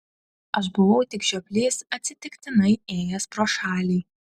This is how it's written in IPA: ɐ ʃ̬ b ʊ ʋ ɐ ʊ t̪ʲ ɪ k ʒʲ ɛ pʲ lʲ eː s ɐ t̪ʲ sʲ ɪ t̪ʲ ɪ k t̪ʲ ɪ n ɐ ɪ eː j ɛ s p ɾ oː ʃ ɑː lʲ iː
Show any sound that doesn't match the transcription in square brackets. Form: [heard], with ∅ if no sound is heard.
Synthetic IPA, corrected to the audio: ɐ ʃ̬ b ʊ ʋ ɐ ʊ t̪ʲ ɪ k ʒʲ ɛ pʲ lʲ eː s ɐ t̪ʲ sʲ ɪ t̪ʲ ɪ k t̪ʲ ɪ n ɐ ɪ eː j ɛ s p ɾ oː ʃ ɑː lʲ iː